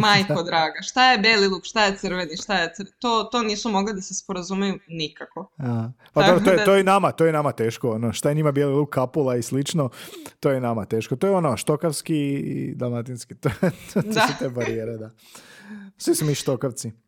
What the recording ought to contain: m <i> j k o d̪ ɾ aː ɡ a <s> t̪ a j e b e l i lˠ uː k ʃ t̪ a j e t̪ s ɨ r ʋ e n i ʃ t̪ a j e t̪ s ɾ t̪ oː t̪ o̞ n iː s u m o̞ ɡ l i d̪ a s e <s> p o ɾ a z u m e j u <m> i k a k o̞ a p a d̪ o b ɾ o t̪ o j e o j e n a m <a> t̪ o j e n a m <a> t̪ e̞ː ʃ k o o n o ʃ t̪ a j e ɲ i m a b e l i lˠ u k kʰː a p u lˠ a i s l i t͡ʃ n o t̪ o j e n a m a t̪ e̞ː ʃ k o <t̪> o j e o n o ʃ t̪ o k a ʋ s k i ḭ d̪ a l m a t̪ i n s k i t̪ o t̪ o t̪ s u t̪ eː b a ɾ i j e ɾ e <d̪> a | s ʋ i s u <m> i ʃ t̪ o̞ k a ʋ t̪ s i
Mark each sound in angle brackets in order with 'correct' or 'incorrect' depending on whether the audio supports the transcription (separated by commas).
incorrect, incorrect, correct, incorrect, correct, correct, correct, correct, correct